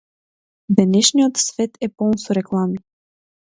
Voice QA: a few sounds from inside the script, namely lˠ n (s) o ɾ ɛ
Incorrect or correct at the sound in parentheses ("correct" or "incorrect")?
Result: correct